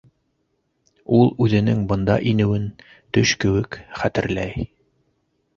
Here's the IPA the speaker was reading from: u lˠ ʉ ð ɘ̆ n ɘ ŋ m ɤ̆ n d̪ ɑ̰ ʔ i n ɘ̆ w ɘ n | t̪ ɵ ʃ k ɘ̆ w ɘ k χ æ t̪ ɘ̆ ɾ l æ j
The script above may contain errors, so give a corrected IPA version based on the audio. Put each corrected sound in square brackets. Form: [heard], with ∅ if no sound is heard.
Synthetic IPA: u lˠ ʉ ð ɘ̆ n ɘ ŋ [b] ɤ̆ n d̪ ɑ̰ ʔ i n ɘ̆ w ɘ n | t̪ ɵ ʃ k ɘ̆ w ɘ k χ æ t̪ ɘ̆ ɾ l æ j